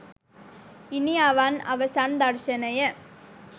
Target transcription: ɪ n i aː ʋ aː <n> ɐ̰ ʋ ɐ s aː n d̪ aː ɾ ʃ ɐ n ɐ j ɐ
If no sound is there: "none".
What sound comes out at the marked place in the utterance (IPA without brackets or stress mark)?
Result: n